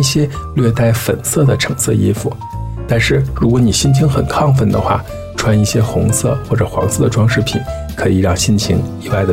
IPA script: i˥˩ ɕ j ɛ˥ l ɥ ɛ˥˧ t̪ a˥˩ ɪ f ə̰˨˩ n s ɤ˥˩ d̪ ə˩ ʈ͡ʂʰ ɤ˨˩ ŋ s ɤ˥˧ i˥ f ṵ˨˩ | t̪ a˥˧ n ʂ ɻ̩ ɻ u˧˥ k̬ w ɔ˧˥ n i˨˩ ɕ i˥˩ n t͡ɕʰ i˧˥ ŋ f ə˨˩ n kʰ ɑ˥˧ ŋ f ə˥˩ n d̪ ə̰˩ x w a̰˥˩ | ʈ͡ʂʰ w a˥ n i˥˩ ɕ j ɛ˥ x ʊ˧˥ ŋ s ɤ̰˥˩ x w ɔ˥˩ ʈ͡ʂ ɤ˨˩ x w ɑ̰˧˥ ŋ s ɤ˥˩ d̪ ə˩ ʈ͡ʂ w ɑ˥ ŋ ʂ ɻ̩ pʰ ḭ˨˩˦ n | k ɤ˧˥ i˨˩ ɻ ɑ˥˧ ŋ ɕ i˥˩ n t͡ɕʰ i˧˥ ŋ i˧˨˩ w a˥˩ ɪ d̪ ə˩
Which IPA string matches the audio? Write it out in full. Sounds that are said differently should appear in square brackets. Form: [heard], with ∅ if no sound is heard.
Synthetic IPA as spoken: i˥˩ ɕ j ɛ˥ l ɥ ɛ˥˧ t̪ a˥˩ ɪ f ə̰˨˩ n s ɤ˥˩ d̪ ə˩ ʈ͡ʂʰ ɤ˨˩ ŋ s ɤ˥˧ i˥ f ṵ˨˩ | t̪ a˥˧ n ʂ ɻ̩ ɻ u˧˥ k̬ w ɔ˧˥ n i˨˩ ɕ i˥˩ n t͡ɕʰ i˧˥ ŋ [x] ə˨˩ n kʰ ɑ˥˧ ŋ f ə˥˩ n d̪ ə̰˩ x w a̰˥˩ | ʈ͡ʂʰ w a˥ n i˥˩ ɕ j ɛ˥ x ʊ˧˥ ŋ s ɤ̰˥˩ x w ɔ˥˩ ʈ͡ʂ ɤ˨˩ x w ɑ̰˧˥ ŋ s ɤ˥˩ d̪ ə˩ ʈ͡ʂ w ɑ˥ ŋ ʂ ɻ̩ pʰ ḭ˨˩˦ n | [kʰ] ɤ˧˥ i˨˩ ɻ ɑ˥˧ ŋ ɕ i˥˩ n t͡ɕʰ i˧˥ ŋ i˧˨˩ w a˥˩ ɪ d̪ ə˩